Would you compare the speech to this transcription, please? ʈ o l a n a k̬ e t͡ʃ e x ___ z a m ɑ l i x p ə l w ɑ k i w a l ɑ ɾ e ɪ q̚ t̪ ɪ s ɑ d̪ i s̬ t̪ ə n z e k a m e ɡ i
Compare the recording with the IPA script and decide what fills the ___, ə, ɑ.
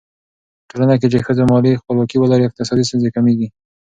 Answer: ə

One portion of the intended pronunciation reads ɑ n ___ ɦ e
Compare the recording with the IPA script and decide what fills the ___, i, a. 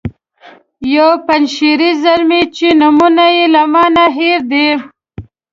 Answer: a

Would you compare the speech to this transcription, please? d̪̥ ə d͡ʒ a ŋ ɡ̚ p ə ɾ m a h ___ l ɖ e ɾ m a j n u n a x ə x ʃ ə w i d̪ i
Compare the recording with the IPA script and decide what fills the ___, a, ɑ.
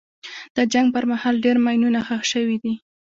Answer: ɑ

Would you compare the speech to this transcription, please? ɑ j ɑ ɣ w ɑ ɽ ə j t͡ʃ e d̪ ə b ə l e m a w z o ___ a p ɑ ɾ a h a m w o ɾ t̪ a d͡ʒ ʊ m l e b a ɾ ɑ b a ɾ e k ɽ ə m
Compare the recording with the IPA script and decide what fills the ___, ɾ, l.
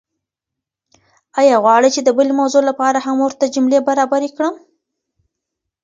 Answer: l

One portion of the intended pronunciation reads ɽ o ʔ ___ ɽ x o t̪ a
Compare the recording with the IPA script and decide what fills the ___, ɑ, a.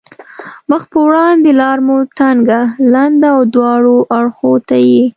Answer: a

